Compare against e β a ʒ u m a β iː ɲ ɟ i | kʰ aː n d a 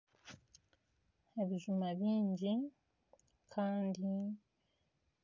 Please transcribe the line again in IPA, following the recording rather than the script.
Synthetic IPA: e β i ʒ u m a β iː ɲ ɟ i | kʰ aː n d i

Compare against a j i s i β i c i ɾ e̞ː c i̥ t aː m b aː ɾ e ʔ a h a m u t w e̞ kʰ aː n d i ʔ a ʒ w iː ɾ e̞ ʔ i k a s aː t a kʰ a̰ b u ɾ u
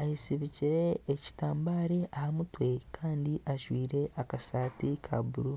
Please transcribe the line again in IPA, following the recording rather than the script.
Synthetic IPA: a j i s i β i c i ɾ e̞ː c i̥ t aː m b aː ɾ e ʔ a h a m u t w e̞ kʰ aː n d i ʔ a ʒ w iː ɾ e̞ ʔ a k a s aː t i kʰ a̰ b u ɾ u

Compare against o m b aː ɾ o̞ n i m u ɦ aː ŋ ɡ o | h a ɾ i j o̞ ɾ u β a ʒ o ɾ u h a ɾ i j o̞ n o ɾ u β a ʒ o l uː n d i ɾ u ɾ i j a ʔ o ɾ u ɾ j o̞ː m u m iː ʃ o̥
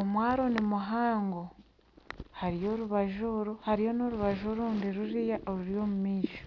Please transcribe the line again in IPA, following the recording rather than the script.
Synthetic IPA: o m w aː ɾ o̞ n i m u ɦ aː ŋ ɡ o | h a ɾ i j o̞ ɾ u β a ʒ o ɾ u h a ɾ i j o̞ n o ɾ u β a ʒ o ɾ uː n d i ɾ u ɾ i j a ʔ o ɾ u ɾ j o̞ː m u m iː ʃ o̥

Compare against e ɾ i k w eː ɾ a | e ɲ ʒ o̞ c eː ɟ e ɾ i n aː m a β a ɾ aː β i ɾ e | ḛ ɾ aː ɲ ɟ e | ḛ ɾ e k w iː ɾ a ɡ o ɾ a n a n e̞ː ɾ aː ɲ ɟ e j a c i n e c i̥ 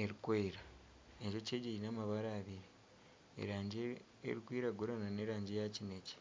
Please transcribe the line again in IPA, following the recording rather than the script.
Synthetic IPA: e ɾ i k w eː ɾ a | e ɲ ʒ o̞ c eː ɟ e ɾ i n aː m a β a ɾ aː β i ɾ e | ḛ ɾ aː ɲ ɟ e | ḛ ɾ i k w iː ɾ a ɡ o ɾ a n a n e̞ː ɾ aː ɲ ɟ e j a c i n e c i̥

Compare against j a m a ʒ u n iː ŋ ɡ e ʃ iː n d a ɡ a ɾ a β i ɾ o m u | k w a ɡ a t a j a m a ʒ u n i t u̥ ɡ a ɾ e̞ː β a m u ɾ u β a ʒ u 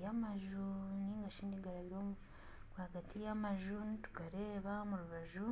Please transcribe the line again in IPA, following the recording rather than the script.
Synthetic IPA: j a m a ʒ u n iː ŋ ɡ a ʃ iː n d i ɡ a ɾ a β i ɾ o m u | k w a ɡ a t i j a m a ʒ u n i t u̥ ɡ a ɾ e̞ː β a m u ɾ u β a ʒ u

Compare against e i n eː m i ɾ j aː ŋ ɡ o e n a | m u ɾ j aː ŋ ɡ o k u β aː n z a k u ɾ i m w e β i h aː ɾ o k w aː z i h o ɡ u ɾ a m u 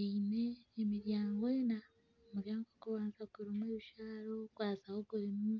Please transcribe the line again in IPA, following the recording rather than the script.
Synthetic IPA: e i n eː m i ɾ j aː ŋ ɡ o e n a | m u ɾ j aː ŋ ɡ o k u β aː n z a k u ɾ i m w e β i ʃ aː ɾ o k w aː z a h o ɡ u ɾ i m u

